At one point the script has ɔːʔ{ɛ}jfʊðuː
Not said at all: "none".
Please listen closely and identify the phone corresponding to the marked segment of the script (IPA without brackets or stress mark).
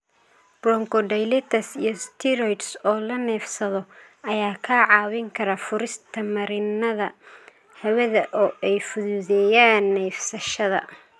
ɛ